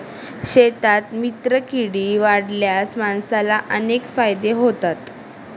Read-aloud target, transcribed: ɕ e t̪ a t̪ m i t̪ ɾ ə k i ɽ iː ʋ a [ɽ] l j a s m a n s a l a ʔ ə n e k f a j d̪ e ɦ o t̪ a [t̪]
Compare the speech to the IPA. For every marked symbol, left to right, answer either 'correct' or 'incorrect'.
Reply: correct, correct

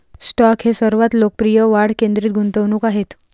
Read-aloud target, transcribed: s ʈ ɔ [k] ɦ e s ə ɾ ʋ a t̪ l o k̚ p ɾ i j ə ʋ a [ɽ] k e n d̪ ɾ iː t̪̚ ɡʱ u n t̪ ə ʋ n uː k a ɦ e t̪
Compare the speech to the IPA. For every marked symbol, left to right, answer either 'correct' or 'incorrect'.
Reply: correct, correct

